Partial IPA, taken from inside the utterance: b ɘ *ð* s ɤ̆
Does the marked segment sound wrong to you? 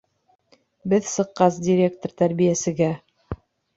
no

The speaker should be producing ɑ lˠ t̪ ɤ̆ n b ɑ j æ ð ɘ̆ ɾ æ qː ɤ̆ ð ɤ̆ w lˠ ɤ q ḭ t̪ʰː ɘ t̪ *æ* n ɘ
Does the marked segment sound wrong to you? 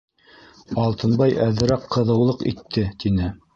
yes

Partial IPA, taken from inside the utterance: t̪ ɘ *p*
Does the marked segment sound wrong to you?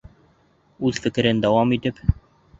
no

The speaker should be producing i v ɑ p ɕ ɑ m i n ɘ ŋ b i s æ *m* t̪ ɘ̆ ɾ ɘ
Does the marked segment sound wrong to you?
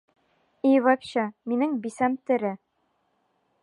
no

